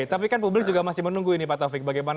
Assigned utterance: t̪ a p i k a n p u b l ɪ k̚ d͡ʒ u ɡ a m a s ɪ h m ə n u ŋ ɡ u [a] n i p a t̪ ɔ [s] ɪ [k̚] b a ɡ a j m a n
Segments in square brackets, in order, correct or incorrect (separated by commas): incorrect, incorrect, correct